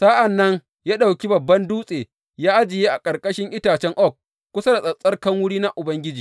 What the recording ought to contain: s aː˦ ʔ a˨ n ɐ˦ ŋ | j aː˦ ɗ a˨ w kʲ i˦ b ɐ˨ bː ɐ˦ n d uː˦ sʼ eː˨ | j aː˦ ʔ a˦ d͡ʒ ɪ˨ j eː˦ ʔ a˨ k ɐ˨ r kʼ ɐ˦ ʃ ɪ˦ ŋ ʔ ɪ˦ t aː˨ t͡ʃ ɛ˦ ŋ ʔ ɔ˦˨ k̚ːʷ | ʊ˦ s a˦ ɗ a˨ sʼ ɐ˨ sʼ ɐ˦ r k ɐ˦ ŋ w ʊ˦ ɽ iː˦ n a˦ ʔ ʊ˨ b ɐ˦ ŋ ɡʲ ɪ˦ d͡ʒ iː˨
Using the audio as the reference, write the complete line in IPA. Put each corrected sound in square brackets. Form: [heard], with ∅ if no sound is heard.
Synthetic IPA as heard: s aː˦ ʔ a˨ [nː] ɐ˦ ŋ | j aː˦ ɗ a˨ w kʲ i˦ b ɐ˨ bː ɐ˦ n d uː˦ sʼ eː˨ | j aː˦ ʔ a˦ d͡ʒ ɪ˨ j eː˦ ʔ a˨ [kʼ] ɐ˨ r kʼ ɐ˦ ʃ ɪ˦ ŋ ʔ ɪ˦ t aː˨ t͡ʃ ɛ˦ ŋ ʔ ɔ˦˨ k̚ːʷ | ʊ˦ s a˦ [d] a˨ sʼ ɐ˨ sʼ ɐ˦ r k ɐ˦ ŋ w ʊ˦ ɽ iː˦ n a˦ ʔ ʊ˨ b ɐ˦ ŋ ɡʲ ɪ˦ d͡ʒ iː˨